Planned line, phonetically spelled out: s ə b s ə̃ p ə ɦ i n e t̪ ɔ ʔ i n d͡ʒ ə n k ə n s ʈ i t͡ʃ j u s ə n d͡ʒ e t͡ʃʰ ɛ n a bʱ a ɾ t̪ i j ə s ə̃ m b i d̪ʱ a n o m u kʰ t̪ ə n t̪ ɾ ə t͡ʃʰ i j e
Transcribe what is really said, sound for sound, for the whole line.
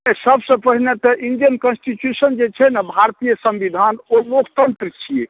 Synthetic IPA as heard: s ə b s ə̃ p ə ɦ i n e t̪ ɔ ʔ i n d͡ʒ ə n k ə n s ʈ i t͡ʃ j u s ə n d͡ʒ e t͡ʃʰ ɛ n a bʱ a ɾ t̪ i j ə s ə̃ m b i d̪ʱ a n o m u kʰ t̪ ə n t̪ ɾ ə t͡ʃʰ i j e